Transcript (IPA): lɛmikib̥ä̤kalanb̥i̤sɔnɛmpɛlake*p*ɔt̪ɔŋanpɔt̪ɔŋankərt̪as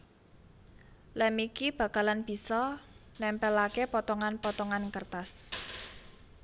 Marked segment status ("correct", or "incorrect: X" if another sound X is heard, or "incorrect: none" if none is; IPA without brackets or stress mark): correct